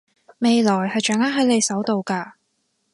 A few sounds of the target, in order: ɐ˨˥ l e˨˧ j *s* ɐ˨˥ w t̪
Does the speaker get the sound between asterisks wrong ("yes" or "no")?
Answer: no